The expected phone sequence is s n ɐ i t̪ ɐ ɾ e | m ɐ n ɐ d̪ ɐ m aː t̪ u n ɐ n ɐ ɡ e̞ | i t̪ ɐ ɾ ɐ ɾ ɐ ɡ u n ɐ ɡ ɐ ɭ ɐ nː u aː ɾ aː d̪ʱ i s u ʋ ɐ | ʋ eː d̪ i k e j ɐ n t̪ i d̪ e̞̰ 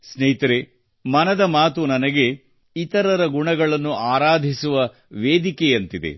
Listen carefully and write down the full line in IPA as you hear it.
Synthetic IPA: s n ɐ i t̪ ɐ ɾ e | m ɐ n ɐ d̪ ɐ m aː t̪ u n ɐ n ɐ ɡ e̞ | i t̪ ɐ ɾ ɐ ɾ ɐ ɡ u ɳ ɐ ɡ ɐ ɭ ɐ nː u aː ɾ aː d̪ʱ i s u ʋ ɐ | ʋ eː d̪ i k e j ɐ n t̪ i d̪ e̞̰